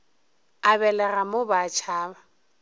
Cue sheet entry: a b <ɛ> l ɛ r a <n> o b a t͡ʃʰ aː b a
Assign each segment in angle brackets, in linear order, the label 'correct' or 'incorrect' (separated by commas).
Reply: correct, incorrect